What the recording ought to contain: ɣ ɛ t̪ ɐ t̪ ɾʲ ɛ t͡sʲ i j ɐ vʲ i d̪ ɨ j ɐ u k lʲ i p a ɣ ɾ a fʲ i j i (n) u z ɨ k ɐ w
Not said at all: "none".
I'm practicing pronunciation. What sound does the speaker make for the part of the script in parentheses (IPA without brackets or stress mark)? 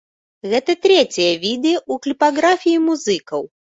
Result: m